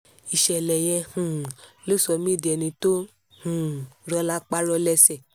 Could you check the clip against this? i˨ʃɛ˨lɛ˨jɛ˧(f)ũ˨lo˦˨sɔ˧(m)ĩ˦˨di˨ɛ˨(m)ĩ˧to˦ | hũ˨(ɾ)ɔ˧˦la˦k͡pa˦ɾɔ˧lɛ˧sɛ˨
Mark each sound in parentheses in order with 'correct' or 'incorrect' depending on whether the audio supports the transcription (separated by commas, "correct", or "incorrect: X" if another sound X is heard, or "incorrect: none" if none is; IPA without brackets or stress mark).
incorrect: h, correct, incorrect: n, correct